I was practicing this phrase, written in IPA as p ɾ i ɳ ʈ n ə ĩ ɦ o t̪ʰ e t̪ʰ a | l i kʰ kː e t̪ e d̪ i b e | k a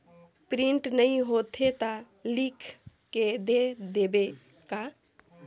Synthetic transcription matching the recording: p ɾ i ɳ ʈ n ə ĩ ɦ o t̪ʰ e t̪ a | l i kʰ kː e d̪ e d̪ e b e | k a